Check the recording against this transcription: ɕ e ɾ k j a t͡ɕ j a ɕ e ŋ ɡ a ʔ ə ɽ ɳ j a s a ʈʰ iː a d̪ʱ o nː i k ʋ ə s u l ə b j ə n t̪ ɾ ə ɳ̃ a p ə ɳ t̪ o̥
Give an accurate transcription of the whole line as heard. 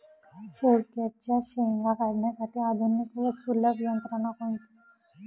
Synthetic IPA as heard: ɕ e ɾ k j a t͡ɕ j a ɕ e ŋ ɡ a k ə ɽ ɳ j a s a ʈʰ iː a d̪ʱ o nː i k ʋ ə s u l ə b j ə n t̪ ɾ ə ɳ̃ a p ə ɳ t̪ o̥